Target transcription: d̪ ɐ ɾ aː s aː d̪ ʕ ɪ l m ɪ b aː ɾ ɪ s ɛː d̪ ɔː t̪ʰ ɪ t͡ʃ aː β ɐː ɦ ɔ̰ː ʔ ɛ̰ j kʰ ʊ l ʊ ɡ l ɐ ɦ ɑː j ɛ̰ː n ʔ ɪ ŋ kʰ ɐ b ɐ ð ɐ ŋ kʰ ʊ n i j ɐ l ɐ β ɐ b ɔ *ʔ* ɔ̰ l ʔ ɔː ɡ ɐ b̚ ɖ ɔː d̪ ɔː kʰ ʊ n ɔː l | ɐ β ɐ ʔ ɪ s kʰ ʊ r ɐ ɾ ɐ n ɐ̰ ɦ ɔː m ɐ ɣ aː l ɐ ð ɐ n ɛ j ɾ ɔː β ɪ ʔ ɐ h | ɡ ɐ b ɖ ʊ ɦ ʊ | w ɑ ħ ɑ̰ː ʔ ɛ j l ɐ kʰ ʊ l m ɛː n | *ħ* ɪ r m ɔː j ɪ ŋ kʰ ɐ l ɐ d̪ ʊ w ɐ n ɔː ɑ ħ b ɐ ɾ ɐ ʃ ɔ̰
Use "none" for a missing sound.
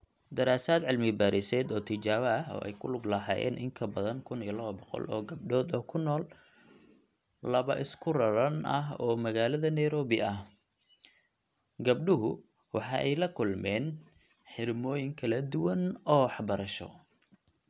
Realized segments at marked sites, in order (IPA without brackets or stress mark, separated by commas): q, ħ